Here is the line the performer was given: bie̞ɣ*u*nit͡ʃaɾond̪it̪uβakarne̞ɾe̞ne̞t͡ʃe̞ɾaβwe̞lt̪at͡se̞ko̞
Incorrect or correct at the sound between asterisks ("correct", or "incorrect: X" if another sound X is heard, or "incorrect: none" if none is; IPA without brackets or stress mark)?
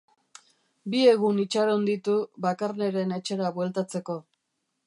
correct